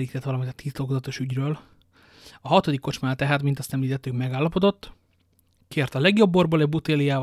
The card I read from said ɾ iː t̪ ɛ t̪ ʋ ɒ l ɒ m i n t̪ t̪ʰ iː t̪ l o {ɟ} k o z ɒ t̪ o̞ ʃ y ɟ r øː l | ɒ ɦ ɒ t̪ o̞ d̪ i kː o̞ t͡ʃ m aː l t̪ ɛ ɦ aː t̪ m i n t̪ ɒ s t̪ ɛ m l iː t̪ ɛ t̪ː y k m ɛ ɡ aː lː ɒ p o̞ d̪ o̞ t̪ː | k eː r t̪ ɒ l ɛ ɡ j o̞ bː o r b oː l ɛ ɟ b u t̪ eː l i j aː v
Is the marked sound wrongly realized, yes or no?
yes